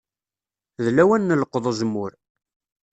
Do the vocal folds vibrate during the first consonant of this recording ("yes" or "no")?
yes